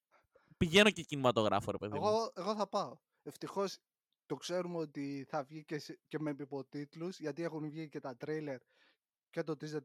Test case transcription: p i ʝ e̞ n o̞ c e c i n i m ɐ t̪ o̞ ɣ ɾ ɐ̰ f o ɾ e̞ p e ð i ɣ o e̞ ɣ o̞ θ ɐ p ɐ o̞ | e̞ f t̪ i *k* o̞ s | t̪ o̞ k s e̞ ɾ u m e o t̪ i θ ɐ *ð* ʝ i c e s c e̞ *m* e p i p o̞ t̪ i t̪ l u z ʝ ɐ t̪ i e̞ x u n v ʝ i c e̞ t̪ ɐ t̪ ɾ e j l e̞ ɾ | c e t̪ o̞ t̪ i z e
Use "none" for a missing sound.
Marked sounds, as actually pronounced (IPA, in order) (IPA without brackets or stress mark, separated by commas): x, v, m